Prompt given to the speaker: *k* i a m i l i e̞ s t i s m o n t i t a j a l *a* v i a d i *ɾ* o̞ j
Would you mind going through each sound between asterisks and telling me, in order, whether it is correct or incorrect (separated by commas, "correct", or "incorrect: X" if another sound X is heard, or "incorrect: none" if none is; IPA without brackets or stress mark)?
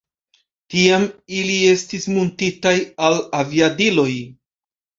incorrect: t, correct, incorrect: l